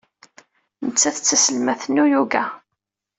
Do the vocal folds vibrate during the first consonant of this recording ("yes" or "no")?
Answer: yes